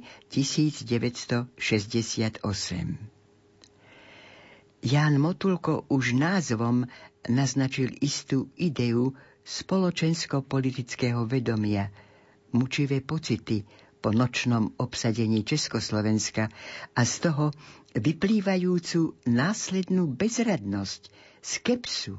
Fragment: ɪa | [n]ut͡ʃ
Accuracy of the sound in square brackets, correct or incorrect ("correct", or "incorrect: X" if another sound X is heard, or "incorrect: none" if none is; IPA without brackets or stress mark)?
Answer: incorrect: m